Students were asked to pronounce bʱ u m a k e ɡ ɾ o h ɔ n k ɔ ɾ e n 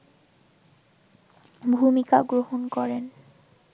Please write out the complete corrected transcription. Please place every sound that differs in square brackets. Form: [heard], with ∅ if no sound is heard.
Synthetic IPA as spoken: bʱ u m [i] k [a] ɡ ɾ o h [o] n k ɔ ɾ e n